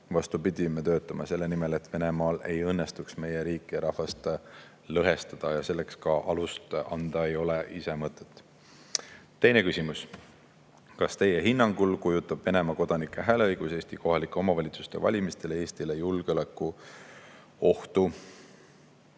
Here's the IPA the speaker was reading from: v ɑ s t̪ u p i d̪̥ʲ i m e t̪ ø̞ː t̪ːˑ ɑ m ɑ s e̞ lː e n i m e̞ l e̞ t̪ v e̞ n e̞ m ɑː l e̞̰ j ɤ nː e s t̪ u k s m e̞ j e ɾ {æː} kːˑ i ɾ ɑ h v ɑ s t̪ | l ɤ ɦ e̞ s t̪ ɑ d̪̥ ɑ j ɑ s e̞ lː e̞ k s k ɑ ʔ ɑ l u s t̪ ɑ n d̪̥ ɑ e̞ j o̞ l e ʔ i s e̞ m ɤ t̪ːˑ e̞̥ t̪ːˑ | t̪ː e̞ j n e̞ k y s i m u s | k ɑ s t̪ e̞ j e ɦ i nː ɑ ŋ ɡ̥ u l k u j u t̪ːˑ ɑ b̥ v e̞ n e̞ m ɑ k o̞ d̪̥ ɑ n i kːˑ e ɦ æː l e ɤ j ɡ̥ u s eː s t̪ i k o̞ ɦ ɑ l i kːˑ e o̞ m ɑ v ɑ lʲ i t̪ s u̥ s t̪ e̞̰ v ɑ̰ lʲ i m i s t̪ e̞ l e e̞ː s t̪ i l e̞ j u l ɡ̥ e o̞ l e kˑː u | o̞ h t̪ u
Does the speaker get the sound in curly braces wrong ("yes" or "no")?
yes